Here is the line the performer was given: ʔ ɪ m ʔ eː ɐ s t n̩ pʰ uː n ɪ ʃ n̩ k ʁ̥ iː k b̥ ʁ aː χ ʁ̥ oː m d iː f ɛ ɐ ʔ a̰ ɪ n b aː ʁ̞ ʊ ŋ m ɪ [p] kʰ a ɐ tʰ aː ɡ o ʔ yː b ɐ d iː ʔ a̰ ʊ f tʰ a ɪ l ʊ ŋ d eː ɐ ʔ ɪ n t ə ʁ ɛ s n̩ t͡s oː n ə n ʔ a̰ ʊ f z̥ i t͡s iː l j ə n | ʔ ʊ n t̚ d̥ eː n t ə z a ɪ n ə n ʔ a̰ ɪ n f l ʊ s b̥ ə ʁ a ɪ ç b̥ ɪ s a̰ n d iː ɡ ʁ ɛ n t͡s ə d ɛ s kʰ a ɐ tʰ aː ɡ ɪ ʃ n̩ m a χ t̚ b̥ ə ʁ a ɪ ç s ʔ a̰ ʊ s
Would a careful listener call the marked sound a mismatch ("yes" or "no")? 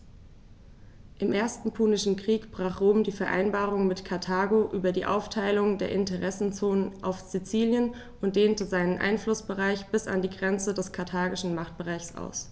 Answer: yes